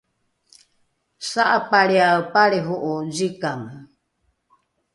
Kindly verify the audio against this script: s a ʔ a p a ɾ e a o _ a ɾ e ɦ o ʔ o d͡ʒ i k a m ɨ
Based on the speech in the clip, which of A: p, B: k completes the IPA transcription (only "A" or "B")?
A